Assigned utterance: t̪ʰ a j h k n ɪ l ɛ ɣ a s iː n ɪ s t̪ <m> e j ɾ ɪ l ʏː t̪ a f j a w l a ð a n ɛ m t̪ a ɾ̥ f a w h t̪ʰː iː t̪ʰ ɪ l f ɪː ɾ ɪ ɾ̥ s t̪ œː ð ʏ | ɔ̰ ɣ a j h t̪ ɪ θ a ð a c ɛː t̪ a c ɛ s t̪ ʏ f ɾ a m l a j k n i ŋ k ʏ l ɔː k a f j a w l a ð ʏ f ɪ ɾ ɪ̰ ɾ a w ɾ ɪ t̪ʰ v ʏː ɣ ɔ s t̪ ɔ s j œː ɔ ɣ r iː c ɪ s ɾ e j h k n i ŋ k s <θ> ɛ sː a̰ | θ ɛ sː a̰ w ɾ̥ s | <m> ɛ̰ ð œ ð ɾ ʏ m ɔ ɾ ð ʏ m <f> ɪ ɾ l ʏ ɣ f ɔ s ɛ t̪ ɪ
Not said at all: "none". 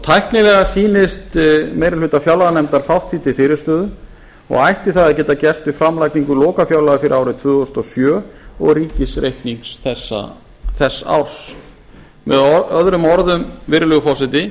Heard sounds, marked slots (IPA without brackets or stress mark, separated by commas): m, θ, m, v